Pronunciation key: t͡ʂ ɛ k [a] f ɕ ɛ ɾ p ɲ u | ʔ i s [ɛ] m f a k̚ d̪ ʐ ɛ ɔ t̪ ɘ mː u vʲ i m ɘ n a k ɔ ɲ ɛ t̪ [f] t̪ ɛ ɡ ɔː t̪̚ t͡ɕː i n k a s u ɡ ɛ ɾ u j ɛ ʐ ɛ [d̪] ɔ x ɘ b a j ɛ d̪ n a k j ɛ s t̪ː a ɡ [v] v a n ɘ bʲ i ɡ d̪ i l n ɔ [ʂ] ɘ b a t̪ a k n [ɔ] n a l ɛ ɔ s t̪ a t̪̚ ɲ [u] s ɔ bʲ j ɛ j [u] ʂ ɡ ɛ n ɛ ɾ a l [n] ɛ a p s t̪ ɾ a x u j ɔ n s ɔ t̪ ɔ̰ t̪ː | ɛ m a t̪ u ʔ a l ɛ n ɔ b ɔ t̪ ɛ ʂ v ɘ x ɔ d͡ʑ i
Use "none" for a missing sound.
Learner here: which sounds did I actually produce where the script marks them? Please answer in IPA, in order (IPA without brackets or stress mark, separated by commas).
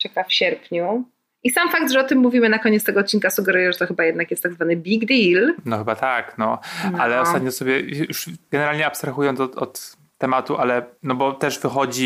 a, a, s, t̪, z, x, ɔ, ɔ, u, ɲ